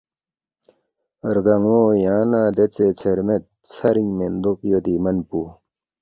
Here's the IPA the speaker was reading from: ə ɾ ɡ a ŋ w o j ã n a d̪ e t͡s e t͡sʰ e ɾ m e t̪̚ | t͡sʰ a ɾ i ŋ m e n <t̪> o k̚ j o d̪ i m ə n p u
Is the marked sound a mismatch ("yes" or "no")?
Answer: yes